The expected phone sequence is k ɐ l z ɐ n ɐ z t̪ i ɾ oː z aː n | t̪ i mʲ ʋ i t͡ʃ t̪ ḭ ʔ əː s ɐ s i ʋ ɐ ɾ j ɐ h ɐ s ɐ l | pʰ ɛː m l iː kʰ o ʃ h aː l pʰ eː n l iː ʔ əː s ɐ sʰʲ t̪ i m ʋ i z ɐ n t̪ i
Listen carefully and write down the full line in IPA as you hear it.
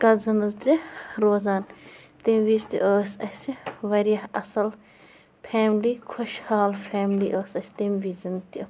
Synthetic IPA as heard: k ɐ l z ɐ n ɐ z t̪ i ɾ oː z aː n | t̪ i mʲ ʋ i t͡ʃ t̪ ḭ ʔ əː s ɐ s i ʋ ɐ ɾ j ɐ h ɐ s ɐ l | pʰ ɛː m l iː kʰ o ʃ h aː l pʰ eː m l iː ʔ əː s ɐ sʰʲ t̪ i m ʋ i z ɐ n t̪ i